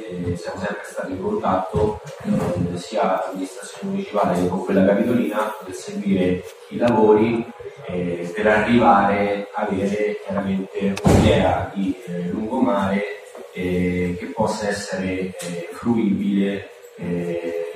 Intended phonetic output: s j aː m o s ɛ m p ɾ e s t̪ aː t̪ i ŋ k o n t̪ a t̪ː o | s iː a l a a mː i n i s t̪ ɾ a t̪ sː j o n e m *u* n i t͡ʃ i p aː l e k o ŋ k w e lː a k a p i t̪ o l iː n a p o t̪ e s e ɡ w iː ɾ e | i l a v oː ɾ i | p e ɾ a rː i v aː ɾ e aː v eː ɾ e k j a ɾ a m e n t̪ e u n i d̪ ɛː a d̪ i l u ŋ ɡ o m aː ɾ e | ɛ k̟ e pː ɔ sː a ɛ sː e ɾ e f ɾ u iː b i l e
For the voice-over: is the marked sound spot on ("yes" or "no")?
yes